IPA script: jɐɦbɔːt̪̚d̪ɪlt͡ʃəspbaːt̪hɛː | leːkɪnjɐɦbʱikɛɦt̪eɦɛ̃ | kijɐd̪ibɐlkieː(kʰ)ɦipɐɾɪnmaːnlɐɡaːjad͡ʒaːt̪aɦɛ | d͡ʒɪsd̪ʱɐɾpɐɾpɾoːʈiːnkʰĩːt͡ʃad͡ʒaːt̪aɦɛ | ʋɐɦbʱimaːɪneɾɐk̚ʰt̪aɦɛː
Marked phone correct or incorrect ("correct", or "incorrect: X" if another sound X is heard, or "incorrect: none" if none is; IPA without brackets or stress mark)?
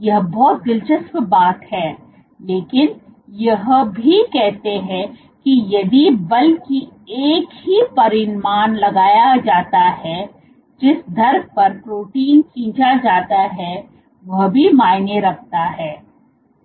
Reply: incorrect: k